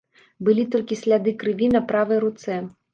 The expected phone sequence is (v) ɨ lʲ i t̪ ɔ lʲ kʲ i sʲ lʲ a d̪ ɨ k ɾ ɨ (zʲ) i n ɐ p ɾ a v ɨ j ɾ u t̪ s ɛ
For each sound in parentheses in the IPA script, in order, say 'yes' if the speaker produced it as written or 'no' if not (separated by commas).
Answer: no, no